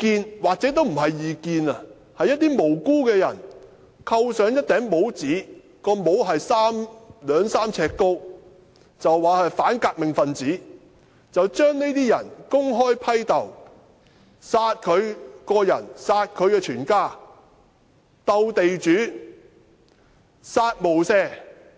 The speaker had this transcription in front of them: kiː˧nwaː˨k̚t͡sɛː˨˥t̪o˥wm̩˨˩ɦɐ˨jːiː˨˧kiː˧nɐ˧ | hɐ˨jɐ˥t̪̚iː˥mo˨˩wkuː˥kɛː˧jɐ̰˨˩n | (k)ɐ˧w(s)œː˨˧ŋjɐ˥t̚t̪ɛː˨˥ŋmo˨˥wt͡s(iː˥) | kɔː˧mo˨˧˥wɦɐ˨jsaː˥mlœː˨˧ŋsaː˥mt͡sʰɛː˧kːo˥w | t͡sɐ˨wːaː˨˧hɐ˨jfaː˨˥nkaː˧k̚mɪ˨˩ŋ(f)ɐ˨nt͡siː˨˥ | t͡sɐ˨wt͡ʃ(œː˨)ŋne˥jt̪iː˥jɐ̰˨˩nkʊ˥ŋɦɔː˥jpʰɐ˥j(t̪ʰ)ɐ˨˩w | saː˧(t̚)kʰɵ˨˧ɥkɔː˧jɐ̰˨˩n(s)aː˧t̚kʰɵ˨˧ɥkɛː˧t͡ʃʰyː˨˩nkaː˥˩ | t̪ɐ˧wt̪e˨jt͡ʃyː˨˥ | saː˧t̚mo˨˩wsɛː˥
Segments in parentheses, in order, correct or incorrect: incorrect: kʰ, correct, incorrect: iː˨˥, correct, incorrect: œː˥, incorrect: t̪, correct, correct

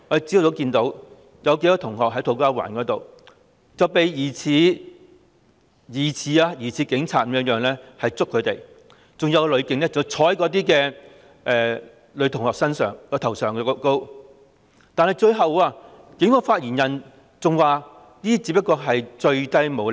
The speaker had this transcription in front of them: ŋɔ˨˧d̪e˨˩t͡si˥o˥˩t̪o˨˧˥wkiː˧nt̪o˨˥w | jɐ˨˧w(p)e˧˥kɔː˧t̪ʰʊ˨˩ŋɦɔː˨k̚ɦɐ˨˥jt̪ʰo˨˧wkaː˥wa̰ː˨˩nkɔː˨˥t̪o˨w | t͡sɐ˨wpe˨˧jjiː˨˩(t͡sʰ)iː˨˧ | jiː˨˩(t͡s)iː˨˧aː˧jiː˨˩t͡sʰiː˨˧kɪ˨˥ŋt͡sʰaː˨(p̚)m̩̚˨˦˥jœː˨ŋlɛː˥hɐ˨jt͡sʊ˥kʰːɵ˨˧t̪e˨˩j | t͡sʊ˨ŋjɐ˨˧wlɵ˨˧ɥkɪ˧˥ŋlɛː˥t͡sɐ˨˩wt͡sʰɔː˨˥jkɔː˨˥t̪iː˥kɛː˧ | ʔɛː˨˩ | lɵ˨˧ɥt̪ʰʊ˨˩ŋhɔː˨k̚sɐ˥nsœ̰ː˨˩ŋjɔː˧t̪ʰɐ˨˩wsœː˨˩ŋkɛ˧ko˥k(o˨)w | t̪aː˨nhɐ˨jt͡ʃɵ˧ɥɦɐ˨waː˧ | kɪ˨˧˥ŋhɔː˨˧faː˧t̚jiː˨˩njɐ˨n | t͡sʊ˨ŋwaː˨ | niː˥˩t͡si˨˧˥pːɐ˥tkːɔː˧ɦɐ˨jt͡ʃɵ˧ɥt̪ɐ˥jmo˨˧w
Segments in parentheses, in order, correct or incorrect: incorrect: k, correct, incorrect: t͡sʰ, incorrect: t̚, incorrect: o˥

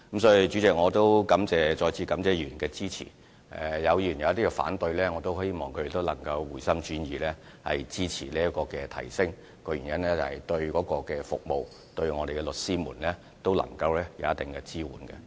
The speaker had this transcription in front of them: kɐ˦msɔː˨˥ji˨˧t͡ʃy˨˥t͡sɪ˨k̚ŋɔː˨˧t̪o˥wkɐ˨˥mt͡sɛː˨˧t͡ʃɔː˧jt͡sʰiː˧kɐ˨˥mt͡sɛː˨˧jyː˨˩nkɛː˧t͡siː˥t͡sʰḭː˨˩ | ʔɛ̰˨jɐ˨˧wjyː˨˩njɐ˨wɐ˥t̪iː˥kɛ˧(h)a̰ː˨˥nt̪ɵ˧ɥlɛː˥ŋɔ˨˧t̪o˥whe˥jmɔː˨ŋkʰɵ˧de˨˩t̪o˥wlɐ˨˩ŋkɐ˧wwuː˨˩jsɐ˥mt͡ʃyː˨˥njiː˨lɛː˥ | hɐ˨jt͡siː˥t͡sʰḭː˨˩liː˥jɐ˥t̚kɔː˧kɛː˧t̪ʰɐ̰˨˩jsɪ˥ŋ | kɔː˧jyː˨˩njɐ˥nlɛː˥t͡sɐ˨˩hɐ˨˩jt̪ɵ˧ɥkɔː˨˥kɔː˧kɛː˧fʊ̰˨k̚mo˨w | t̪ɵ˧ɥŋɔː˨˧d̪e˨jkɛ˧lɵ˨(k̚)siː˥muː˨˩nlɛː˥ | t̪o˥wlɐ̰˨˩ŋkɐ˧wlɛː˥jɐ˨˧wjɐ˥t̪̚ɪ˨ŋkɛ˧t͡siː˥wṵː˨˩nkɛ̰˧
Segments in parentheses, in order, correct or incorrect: incorrect: f, incorrect: t̚

